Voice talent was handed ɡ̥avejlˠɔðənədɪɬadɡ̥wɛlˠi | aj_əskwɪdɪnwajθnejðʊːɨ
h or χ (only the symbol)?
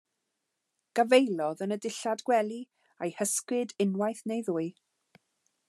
h